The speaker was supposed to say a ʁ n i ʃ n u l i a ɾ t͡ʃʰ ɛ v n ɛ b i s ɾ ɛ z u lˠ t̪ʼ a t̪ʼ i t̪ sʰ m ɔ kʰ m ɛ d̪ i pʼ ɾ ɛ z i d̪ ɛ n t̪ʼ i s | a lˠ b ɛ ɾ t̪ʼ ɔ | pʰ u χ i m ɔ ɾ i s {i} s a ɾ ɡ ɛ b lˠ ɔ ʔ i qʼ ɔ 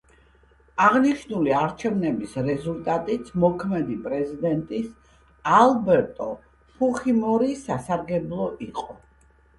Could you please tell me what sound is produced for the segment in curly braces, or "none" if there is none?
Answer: a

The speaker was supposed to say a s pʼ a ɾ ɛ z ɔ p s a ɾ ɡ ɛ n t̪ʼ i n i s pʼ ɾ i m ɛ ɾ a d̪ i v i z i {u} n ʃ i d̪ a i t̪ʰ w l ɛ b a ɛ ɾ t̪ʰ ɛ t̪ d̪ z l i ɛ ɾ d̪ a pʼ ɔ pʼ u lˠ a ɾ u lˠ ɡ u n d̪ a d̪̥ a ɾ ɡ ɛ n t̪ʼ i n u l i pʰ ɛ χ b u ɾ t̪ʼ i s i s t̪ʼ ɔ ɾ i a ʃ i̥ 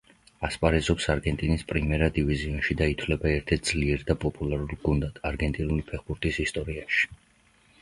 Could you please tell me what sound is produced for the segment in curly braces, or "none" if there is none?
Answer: ɔ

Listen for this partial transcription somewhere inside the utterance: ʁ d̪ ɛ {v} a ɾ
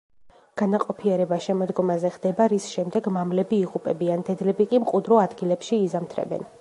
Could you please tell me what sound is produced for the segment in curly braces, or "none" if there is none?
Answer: b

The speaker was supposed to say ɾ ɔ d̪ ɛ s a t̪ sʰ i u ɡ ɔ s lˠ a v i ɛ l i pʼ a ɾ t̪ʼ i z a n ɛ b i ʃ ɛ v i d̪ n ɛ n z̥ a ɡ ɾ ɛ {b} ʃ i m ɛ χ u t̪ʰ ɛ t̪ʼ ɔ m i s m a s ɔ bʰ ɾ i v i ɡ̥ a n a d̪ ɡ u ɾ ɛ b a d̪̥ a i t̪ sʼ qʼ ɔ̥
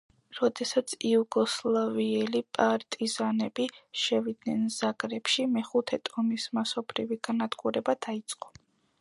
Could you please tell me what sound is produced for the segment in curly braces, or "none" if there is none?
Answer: p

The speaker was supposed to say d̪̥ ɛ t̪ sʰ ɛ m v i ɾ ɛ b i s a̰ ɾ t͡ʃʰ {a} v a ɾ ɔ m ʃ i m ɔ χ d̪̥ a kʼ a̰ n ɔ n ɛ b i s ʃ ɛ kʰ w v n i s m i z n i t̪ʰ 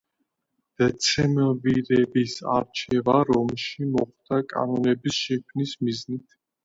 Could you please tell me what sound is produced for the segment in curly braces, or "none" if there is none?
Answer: ɛ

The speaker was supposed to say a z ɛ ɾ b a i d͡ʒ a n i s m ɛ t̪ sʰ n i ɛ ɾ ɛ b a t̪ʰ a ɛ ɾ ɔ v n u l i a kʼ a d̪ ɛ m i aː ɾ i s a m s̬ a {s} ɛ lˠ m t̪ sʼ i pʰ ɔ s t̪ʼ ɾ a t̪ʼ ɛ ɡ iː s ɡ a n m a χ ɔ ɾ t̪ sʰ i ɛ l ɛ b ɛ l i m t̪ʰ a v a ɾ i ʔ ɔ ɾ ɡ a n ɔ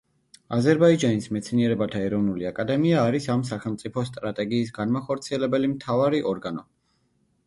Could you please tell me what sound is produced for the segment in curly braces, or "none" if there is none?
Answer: χ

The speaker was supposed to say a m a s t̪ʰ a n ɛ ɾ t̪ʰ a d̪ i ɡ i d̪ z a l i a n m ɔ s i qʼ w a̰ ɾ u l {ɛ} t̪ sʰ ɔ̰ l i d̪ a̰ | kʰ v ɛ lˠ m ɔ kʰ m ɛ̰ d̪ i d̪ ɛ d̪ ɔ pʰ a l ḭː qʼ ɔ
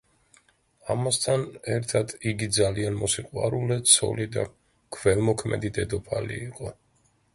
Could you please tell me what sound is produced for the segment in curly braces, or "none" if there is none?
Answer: ɛ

